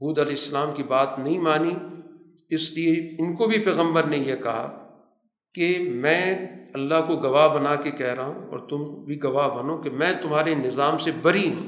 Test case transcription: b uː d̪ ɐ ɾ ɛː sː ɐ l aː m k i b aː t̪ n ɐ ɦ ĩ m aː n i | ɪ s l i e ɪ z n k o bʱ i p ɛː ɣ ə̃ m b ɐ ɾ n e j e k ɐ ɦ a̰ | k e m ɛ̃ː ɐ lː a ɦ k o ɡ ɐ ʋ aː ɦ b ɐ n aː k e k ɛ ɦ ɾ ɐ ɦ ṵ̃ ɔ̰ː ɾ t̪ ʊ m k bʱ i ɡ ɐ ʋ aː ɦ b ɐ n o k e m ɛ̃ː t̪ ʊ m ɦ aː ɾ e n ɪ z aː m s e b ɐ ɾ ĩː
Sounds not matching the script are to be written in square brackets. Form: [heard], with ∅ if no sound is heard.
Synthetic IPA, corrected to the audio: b uː d̪ ɐ [l] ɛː sː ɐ l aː m k i b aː t̪ n ɐ ɦ ĩ m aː n i | ɪ s l i e ɪ [∅] n k o bʱ i p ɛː ɣ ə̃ m b [ə] ɾ n e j e k ɐ ɦ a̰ | k e m ɛ̃ː ɐ lː a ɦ k o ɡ ɐ ʋ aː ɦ b ɐ n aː k e k ɛ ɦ ɾ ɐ ɦ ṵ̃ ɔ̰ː ɾ t̪ ʊ m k bʱ i ɡ ɐ ʋ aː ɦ b ɐ n o k e m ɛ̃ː t̪ ʊ m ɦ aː ɾ e n ɪ z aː m s e b ɐ ɾ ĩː